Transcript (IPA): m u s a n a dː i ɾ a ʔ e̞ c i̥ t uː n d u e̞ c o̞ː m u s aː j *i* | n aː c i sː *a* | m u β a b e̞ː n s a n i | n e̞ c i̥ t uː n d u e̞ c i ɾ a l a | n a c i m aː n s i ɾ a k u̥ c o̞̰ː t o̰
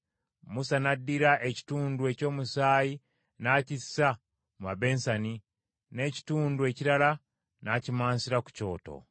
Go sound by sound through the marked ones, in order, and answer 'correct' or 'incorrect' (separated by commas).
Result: correct, correct